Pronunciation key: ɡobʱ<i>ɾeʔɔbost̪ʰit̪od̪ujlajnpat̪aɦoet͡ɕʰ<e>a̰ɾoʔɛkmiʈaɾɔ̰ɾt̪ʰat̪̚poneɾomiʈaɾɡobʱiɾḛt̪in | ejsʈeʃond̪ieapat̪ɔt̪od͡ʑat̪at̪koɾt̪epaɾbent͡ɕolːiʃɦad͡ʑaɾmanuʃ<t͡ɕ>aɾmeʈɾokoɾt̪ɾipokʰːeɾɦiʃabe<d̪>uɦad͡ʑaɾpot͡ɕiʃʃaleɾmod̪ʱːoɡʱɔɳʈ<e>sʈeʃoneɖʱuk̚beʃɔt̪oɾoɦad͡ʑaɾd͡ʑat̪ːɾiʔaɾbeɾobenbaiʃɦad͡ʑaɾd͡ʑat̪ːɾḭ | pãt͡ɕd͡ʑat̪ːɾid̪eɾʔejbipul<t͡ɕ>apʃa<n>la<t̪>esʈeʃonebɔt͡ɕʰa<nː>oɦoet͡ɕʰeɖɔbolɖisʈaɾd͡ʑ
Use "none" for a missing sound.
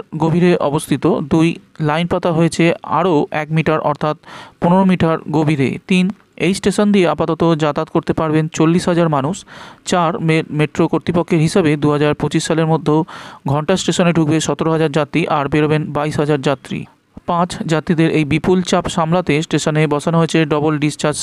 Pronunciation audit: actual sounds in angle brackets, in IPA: i, e, t͡ɕ, d̪, a, t͡ɕ, m, t̪, n

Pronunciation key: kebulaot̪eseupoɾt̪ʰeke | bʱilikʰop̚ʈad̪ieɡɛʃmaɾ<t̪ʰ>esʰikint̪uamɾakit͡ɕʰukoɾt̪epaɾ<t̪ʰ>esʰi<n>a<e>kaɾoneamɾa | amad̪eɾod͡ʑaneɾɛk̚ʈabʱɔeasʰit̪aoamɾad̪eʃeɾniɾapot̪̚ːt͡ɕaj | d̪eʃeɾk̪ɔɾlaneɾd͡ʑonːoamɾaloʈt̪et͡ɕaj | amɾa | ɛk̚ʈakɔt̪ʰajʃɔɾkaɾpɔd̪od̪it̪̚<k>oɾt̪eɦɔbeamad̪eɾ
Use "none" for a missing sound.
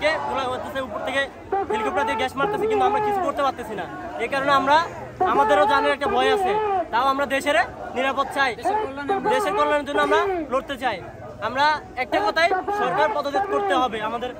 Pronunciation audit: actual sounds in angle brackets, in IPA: t̪, t̪, n, e, k

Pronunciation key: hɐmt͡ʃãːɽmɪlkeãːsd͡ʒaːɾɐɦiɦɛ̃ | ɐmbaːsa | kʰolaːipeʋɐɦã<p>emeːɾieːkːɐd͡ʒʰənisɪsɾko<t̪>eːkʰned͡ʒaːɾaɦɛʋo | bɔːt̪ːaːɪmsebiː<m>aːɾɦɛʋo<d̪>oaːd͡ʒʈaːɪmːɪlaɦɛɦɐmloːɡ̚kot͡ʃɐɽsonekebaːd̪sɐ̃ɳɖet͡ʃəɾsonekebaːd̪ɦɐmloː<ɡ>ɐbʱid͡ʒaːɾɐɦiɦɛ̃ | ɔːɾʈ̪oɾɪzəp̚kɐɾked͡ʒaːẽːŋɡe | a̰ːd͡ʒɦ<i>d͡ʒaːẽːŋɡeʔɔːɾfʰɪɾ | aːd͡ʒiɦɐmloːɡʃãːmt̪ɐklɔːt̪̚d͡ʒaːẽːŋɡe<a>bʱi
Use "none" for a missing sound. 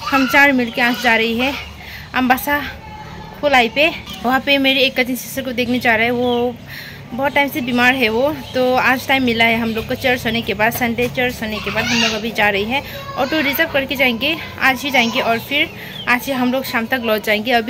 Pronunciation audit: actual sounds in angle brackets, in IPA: p, d̪, m, t̪, ɡ, i, ɐ

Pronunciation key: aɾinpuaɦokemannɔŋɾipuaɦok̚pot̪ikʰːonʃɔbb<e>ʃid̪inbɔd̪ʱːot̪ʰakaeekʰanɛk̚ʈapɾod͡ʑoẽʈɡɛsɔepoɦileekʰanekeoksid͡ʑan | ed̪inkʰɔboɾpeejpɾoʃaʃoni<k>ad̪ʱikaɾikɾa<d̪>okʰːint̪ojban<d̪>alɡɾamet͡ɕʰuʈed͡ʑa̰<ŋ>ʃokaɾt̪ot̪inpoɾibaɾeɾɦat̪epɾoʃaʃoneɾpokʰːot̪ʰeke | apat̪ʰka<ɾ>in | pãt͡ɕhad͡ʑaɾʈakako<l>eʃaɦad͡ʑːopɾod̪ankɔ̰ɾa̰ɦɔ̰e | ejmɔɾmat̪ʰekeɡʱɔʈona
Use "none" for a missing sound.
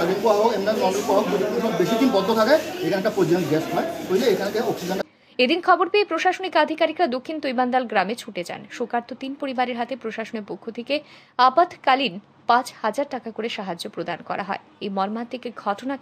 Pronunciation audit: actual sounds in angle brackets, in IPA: e, k, d̪, d̪, n, l, ɾ

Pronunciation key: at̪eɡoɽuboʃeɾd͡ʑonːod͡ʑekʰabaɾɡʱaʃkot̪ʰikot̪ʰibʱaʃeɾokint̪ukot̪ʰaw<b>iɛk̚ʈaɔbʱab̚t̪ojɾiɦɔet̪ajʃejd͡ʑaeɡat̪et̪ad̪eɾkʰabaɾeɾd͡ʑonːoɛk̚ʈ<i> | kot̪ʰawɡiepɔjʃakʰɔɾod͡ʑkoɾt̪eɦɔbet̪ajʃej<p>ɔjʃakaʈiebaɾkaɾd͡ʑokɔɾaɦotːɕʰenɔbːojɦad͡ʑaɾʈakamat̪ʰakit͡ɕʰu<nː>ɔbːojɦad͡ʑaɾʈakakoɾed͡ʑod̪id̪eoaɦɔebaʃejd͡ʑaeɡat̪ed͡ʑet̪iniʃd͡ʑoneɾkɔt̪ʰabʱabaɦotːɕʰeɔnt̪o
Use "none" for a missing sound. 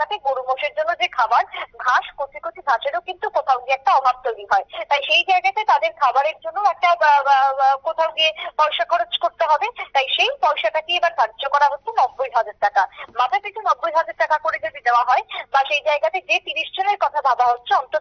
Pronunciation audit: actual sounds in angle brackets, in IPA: ɡ, a, p, n

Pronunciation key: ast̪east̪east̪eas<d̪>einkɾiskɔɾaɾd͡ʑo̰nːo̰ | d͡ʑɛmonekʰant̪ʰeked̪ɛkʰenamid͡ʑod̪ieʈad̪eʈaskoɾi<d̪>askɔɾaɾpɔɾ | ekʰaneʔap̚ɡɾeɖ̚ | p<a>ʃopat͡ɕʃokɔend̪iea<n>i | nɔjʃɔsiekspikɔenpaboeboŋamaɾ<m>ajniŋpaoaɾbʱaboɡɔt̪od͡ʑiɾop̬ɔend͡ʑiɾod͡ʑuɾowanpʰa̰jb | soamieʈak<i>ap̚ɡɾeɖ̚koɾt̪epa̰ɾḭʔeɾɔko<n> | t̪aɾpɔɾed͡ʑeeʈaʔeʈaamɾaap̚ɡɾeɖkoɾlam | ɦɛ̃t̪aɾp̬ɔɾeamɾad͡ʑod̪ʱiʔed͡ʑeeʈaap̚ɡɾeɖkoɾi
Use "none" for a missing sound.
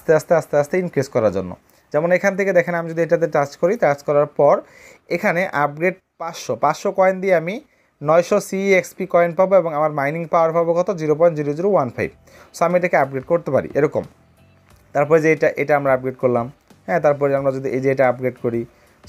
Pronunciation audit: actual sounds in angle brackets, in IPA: t̪, t̪, a, m, m, e, m

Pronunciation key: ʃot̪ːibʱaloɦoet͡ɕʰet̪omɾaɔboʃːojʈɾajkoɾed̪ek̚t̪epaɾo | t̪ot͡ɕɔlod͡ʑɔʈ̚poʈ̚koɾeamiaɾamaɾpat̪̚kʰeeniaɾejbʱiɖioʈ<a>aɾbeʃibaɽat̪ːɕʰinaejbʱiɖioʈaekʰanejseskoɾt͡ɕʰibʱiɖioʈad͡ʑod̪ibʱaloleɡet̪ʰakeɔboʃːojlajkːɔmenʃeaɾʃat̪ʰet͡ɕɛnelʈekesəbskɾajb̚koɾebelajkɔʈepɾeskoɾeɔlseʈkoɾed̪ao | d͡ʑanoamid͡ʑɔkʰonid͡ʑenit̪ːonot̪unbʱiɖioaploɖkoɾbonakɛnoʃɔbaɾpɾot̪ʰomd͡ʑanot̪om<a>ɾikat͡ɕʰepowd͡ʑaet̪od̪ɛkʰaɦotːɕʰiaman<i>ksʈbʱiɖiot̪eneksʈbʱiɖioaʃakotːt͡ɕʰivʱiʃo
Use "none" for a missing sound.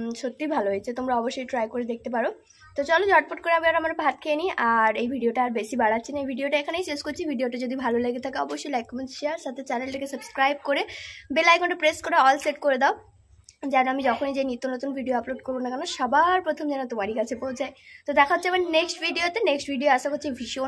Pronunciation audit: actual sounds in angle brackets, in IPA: a, a, e

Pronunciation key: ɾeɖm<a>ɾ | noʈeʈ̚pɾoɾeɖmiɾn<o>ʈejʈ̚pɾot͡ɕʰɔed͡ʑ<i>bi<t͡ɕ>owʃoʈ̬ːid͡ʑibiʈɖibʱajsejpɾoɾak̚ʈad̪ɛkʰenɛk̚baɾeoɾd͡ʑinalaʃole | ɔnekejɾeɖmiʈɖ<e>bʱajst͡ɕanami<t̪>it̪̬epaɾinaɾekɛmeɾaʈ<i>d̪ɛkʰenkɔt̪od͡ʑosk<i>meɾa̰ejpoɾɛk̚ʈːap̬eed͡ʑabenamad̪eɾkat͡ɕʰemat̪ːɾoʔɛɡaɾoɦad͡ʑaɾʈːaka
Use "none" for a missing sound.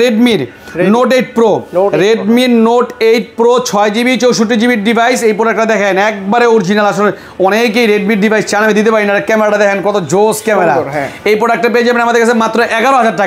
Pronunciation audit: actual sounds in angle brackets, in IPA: i, o, i, t͡ɕ, i, d̪, a, ɛ

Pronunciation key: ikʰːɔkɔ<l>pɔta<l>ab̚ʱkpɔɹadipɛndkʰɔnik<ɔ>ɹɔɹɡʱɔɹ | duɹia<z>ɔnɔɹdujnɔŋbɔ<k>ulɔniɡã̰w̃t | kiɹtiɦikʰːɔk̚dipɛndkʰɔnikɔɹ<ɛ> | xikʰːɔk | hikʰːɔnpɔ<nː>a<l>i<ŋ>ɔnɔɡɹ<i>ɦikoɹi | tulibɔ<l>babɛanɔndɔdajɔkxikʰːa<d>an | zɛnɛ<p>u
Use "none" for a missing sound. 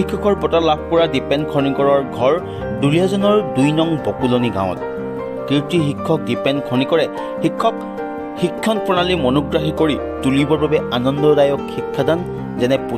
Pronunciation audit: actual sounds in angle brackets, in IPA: ɹ, l, ɔ, z, k, ɛ, n, l, m, a, ɹ, d, p

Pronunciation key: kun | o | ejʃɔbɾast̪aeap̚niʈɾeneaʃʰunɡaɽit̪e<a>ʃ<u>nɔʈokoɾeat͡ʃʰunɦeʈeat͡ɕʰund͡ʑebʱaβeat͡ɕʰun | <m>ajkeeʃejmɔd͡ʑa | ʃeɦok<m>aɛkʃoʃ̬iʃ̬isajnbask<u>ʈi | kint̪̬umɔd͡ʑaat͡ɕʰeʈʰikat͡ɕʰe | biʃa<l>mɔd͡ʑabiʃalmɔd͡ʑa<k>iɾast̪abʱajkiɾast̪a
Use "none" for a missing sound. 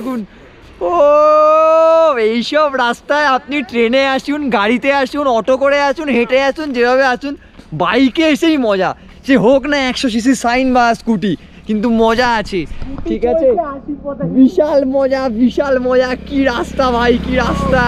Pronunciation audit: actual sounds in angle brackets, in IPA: a, u, b, n, u, l, k

